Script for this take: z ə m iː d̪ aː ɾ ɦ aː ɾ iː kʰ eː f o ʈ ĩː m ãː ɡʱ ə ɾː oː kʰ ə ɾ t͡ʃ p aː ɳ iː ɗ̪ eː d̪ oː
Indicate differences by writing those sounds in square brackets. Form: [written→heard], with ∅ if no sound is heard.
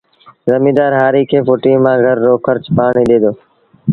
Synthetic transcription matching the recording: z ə m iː d̪ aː ɾ ɦ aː ɾ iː kʰ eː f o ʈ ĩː m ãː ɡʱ ə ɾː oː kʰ ə ɾ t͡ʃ p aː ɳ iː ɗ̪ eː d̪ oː